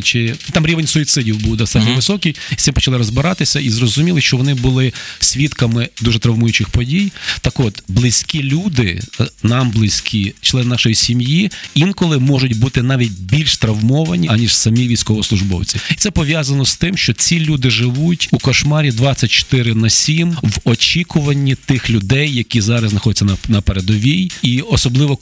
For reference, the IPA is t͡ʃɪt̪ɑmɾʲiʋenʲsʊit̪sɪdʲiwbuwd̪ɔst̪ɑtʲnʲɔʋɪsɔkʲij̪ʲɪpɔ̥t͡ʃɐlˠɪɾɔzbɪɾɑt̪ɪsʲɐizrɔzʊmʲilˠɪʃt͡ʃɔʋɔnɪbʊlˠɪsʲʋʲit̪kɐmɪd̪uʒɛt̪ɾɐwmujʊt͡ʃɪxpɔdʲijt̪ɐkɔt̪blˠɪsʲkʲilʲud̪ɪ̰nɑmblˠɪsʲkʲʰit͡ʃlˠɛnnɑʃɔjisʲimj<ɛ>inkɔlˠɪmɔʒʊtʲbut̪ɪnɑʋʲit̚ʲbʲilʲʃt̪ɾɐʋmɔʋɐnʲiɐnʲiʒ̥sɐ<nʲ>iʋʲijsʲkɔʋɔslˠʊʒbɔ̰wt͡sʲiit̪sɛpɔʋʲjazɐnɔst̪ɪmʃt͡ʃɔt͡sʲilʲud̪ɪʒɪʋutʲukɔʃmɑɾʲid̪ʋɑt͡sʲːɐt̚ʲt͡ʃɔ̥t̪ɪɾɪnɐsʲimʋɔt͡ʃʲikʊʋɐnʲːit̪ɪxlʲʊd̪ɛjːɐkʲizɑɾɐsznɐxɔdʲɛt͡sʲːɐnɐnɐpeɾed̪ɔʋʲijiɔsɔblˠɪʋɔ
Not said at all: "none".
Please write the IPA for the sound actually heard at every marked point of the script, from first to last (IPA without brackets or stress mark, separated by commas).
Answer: i, mʲ